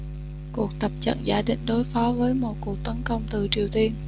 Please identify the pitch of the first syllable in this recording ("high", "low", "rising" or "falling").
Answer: low